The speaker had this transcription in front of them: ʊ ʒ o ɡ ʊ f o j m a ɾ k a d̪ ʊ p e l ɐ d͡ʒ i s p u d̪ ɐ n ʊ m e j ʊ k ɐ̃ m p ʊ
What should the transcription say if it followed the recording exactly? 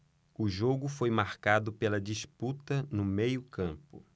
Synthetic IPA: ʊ ʒ o ɡ ʊ f o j m a ɾ k a d̪ ʊ p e l ɐ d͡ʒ i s p u t̪ ɐ n ʊ m e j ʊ k ɐ̃ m p ʊ